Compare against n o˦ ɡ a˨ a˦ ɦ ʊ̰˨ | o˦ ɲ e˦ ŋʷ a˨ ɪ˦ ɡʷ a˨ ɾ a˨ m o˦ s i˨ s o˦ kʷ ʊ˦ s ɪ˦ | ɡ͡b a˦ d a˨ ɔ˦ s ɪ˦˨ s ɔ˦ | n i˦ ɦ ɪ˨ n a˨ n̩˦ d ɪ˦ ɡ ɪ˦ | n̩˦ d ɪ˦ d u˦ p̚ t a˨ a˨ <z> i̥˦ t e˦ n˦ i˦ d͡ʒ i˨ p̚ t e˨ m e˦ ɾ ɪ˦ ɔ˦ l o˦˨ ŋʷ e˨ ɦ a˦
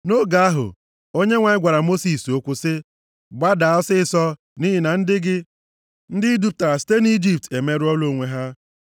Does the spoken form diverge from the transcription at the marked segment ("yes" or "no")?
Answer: yes